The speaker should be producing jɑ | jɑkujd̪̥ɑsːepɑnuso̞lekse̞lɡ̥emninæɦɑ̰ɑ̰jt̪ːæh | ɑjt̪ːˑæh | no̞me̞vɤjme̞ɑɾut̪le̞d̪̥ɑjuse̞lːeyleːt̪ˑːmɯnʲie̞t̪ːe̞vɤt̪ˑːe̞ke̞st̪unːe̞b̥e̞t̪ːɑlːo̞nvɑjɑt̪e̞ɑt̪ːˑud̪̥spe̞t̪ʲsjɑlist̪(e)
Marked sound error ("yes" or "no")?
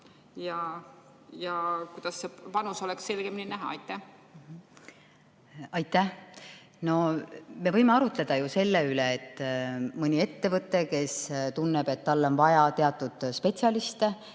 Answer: no